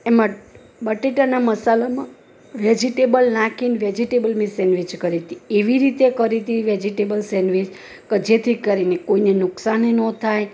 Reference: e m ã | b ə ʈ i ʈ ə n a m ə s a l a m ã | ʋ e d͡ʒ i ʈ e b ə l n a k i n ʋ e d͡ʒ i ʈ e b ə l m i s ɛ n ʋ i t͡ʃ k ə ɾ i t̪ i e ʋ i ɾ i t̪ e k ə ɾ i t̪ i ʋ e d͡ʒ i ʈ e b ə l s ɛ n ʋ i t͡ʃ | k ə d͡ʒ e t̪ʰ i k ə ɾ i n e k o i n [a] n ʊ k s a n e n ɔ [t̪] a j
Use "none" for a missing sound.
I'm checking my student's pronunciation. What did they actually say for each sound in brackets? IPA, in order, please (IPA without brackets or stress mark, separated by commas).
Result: e, t̪ʰ